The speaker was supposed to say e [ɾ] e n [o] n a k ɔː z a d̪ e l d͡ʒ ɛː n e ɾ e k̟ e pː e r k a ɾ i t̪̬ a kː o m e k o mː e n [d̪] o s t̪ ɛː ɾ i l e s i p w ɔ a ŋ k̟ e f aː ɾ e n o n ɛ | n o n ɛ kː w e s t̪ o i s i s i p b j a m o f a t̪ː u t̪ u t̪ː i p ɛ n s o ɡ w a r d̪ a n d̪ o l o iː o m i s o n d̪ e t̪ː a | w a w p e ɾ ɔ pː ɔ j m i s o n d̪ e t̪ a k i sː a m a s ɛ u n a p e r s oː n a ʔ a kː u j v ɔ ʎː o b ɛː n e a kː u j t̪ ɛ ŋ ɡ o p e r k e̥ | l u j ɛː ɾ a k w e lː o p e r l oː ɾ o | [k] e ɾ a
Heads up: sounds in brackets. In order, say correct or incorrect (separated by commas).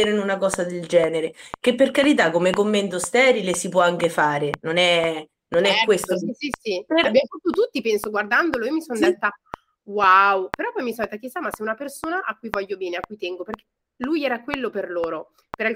correct, incorrect, incorrect, incorrect